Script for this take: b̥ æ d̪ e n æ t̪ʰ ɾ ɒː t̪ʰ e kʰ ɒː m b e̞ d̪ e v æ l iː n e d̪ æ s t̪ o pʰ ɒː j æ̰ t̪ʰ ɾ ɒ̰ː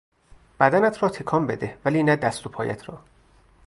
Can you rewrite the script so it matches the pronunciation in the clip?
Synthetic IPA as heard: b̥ æ d̪ æ n æ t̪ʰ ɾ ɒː t̪ʰ e kʰ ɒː m b e̞ d̪ e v æ l iː n æ d̪ æ s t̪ o pʰ ɒː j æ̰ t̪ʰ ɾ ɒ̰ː